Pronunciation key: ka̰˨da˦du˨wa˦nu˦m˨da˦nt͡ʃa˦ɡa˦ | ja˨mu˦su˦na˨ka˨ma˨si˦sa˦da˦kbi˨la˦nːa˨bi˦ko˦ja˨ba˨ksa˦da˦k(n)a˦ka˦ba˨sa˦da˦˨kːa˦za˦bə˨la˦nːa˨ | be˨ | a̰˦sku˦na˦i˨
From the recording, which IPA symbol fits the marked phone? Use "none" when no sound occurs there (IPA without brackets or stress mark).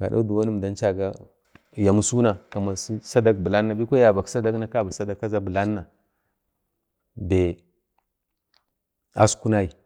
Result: n